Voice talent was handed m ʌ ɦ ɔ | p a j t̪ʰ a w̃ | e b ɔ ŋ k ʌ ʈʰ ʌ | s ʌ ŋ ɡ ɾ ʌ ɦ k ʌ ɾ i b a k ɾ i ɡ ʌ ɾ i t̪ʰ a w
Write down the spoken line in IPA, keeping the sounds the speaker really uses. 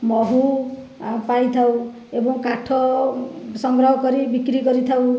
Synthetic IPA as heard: m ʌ ɦ u | p a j t̪ʰ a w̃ | e b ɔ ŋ k a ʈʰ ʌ | s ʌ ŋ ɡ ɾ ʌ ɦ k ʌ ɾ i b i k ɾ i ɡ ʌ ɾ i t̪ʰ a w